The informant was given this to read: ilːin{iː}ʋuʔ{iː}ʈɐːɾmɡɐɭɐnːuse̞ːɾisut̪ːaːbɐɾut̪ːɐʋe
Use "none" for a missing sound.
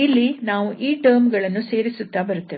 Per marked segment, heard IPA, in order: aː, iː

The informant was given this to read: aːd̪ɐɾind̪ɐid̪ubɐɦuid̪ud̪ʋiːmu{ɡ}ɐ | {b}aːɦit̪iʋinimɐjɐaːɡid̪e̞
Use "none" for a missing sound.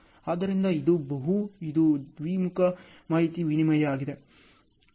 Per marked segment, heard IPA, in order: k, m

